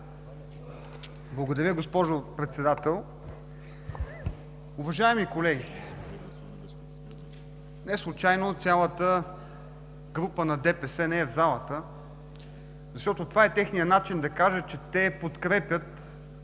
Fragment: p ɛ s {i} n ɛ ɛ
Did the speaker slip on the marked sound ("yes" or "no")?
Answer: yes